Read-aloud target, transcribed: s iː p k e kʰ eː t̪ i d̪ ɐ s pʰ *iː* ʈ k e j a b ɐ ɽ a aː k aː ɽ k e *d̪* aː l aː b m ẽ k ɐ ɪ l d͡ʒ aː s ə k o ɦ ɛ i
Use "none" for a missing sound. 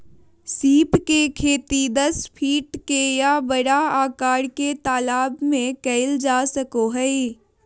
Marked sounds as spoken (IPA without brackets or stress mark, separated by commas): iː, t̪